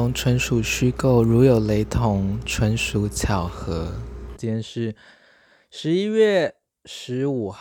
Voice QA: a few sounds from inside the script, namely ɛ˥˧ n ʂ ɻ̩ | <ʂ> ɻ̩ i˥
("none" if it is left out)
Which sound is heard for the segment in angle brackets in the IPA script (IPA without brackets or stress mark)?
ʂ